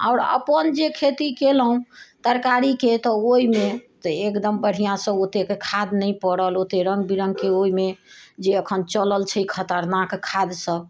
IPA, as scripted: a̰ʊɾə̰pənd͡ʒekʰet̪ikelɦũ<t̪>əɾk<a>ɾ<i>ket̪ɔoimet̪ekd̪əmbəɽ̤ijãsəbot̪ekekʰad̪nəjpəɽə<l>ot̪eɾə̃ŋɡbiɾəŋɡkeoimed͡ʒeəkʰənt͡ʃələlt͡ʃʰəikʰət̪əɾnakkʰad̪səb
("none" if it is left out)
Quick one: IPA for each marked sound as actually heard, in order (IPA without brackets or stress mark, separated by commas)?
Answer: t̪, a, i, l